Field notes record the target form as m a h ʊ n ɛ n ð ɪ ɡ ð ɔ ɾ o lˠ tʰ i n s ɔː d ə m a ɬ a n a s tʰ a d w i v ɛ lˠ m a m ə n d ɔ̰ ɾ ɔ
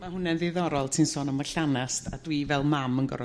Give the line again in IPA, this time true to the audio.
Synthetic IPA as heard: m a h ʊ n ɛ n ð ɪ ð ɔ ɾ ɔ lˠ tʰ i n s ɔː n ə m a ɬ a n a s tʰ a d w i v ɛ lˠ m a m ə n ɡ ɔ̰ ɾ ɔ